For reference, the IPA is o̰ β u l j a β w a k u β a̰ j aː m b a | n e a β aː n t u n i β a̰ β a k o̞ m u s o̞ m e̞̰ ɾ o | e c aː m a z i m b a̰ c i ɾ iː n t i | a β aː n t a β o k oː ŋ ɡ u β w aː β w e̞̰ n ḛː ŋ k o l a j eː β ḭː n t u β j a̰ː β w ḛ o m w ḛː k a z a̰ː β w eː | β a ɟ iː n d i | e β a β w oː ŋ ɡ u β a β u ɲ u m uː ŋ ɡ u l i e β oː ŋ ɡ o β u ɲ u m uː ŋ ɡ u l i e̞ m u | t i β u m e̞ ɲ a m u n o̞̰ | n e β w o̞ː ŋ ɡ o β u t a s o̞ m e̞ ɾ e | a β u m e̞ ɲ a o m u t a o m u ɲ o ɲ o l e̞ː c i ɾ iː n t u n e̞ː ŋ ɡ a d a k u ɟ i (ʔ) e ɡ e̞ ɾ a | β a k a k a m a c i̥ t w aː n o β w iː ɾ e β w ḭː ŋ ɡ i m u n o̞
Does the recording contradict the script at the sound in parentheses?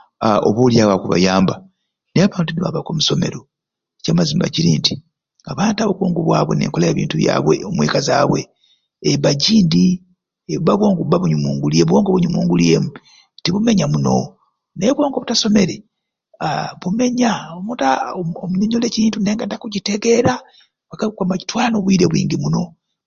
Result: yes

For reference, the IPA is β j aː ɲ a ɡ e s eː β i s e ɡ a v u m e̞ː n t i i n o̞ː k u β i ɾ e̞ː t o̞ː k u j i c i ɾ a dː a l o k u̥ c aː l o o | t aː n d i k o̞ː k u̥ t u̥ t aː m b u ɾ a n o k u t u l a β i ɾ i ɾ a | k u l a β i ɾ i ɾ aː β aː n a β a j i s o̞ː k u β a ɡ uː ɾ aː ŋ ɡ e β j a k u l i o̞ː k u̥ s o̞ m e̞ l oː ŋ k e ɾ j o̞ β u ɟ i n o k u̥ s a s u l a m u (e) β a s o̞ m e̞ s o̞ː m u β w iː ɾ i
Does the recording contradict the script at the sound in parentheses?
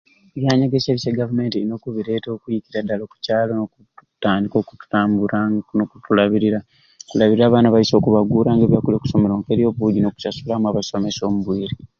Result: yes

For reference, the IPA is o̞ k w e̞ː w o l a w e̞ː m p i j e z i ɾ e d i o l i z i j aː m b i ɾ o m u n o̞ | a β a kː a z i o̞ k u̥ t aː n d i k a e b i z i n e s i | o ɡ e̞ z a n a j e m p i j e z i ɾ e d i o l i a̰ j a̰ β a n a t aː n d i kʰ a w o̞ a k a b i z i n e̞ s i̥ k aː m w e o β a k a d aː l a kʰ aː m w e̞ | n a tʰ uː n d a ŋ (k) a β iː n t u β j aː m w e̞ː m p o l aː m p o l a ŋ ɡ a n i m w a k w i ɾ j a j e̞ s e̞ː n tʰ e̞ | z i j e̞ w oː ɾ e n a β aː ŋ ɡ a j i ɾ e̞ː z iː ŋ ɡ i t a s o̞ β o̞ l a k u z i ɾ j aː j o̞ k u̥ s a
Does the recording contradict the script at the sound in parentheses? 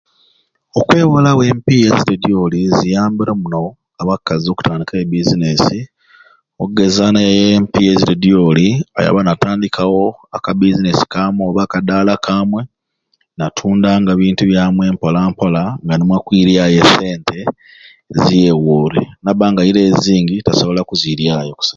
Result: yes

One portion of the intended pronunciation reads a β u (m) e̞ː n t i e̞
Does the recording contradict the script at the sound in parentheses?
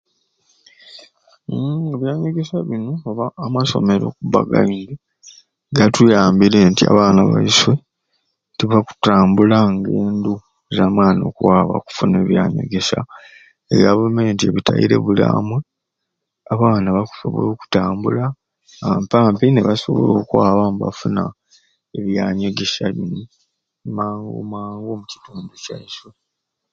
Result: no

